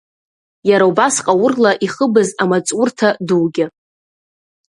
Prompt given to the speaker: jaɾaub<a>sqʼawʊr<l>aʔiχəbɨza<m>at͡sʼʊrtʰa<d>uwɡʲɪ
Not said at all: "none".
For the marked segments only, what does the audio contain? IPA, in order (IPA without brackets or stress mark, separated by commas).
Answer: a, l, m, d